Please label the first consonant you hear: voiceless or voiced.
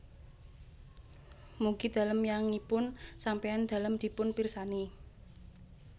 voiced